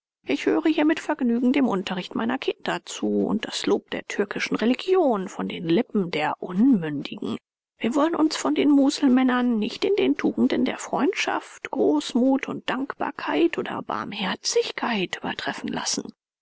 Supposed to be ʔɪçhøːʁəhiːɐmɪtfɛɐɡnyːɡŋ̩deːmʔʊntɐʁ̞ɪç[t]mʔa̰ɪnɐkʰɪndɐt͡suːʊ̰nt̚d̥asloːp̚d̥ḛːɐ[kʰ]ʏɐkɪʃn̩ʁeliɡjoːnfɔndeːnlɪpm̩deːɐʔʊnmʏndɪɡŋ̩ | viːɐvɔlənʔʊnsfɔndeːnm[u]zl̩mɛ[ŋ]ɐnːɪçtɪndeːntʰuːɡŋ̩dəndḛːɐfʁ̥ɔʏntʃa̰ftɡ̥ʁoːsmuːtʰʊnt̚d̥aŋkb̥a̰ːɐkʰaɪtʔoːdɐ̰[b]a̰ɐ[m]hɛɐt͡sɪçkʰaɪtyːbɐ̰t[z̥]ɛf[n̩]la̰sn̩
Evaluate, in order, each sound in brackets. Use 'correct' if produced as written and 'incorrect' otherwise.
correct, incorrect: tʰ, incorrect: uː, incorrect: n, correct, correct, incorrect: ʁ̥, correct

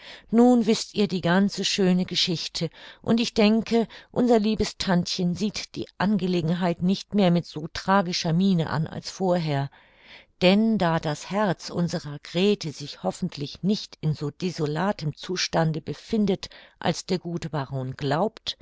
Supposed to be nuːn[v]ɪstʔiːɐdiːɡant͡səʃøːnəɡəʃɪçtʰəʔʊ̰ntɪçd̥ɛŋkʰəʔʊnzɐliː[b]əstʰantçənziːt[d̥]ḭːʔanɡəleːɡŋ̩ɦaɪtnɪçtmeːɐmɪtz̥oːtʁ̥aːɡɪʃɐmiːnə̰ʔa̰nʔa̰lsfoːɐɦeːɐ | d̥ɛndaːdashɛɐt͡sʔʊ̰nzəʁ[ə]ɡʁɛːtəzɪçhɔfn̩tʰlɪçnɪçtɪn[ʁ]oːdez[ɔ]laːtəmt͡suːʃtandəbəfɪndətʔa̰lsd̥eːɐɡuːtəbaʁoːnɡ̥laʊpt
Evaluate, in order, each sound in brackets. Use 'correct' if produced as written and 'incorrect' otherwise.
correct, correct, correct, incorrect: ɐ, incorrect: z, incorrect: o

